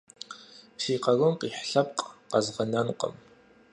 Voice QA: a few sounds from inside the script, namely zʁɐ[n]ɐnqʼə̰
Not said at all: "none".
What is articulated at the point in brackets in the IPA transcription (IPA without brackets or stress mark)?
n